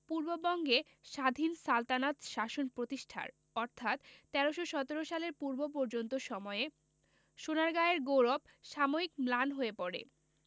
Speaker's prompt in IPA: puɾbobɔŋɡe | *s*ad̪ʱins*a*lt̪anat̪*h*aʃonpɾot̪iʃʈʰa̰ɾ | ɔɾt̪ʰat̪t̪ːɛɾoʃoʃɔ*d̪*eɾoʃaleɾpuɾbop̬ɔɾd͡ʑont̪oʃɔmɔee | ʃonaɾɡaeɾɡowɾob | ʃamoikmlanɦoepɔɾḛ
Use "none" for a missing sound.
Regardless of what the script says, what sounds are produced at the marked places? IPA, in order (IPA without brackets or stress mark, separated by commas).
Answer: ʃ, a, ʃ, t̪